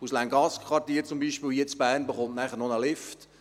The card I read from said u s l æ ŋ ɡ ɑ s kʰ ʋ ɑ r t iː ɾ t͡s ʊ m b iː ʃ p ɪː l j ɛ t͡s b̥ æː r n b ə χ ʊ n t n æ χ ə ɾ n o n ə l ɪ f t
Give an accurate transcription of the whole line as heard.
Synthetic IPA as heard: u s l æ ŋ ɡ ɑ s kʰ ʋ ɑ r t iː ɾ t͡s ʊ m b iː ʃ p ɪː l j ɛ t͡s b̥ æː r n b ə χ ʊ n t n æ χ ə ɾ n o n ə l ɪ f t